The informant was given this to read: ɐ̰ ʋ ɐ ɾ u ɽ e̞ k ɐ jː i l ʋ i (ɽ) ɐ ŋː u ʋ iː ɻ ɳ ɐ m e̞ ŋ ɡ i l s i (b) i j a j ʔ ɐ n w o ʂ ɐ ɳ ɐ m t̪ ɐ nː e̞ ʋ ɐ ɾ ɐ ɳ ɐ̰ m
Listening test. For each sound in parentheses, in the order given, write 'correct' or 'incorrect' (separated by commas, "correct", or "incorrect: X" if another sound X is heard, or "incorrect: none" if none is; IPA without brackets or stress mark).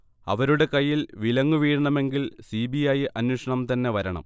incorrect: l, correct